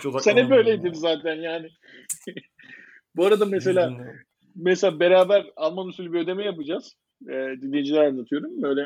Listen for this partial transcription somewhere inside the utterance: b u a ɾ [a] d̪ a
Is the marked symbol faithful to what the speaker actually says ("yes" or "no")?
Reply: yes